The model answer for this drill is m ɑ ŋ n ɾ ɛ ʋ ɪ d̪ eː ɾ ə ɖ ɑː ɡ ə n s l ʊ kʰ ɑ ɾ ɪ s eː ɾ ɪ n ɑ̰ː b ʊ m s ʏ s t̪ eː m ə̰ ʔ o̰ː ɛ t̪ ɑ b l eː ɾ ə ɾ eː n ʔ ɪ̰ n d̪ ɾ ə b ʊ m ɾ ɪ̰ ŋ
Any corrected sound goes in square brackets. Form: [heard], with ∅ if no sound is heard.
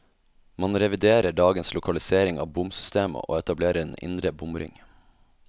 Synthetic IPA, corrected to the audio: m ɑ [∅] n ɾ ɛ ʋ ɪ d̪ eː ɾ ə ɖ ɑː ɡ ə n s l ʊ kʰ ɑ [l] ɪ s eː ɾ ɪ [ŋ] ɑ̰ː b ʊ m s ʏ s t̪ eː m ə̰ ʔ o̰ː ɛ t̪ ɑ b l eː ɾ ə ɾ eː n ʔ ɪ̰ n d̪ ɾ ə b ʊ m ɾ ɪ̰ ŋ